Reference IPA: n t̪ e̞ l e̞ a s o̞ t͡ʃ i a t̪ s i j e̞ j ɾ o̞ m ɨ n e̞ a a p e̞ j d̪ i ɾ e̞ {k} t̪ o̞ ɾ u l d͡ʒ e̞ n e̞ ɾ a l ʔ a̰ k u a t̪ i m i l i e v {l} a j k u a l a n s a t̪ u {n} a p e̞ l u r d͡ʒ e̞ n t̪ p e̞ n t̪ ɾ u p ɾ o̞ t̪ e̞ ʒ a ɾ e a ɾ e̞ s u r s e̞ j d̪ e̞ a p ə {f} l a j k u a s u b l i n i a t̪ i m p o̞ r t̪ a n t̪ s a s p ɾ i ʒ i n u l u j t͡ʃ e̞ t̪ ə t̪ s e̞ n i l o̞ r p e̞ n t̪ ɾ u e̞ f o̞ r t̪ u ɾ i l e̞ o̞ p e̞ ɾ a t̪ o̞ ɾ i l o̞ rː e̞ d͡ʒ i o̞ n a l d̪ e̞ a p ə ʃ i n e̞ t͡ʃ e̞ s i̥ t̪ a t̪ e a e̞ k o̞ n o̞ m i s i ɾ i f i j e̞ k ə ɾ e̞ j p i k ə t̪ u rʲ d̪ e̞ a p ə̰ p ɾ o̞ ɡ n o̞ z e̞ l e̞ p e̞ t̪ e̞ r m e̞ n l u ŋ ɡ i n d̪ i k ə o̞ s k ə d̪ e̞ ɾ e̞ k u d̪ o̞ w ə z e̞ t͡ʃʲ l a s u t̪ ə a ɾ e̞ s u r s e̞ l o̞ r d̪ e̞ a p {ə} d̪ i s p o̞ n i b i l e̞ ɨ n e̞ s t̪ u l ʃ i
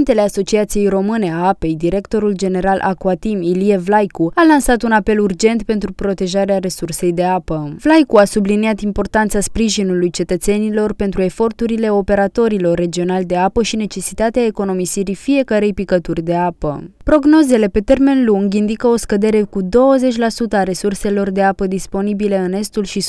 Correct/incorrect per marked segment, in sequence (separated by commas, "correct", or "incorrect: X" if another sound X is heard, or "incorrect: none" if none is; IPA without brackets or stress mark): correct, correct, correct, incorrect: v, correct